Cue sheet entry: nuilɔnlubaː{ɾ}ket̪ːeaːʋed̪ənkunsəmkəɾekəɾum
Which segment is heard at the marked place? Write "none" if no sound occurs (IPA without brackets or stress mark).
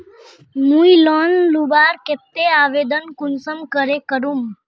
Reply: ɾ